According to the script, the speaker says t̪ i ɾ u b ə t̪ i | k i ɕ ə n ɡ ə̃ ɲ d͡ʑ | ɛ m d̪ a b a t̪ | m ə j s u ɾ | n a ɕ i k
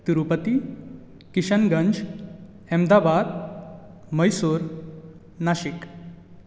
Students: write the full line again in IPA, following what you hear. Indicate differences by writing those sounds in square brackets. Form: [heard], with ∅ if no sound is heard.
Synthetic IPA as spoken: t̪ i ɾ u [p] ə t̪ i | k i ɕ ə n ɡ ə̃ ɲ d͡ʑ | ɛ m d̪ a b a [d̪] | m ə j s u ɾ | n a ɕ i k